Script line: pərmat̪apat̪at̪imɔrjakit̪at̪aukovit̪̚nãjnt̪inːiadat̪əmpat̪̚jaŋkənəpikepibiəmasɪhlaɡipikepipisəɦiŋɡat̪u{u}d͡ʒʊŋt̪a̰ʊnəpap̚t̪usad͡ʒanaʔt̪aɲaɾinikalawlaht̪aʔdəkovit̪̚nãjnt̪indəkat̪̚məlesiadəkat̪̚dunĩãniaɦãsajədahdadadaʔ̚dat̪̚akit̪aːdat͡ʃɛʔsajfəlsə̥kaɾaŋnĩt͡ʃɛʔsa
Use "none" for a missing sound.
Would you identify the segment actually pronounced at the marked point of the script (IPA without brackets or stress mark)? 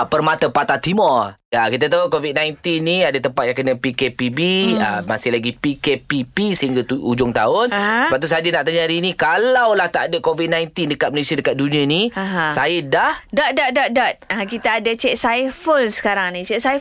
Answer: u